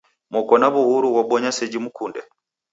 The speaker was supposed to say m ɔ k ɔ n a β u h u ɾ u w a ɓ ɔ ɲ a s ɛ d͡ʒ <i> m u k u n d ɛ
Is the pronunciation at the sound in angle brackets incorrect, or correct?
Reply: correct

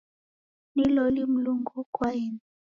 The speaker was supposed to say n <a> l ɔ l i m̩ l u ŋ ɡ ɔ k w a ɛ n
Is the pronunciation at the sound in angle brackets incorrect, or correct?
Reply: incorrect: i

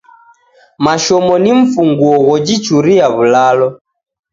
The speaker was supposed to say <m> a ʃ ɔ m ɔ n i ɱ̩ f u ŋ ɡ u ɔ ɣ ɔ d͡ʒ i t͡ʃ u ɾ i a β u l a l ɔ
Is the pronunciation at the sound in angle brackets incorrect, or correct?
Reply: correct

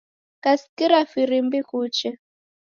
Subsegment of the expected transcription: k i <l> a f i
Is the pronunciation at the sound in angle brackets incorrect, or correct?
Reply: incorrect: ɾ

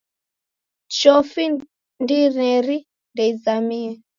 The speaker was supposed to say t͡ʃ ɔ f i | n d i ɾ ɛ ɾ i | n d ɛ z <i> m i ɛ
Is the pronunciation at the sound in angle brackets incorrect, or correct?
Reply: incorrect: a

